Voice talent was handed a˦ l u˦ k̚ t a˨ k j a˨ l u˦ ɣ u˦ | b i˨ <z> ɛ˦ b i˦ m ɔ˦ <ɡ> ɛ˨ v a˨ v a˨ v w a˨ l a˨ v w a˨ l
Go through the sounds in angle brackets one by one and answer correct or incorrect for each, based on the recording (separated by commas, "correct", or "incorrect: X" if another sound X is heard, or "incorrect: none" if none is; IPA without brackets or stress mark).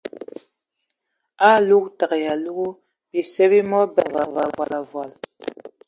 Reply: incorrect: s, incorrect: b